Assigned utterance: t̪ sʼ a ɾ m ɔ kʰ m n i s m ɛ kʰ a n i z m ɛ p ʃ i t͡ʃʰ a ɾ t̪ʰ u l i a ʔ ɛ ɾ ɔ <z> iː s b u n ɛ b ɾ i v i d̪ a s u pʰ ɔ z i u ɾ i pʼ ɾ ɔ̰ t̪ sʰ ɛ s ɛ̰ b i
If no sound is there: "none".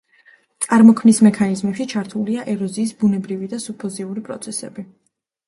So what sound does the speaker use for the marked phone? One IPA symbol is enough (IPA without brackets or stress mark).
z